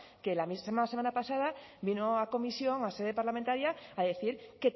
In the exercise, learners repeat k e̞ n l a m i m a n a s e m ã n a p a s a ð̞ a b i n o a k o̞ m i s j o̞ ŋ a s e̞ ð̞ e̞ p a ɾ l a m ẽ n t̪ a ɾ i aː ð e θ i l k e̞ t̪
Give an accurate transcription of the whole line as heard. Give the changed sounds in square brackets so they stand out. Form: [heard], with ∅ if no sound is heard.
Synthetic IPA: k e̞ [∅] l a m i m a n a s e m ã n a p a s a ð̞ a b i n o a k o̞ m i s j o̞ ŋ a s e̞ ð̞ e̞ p a ɾ l a m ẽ n t̪ a ɾ [j] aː ð e θ i [ɾ] k e̞ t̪